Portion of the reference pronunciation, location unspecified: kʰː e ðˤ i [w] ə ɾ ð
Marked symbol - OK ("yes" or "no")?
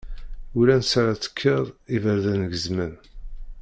no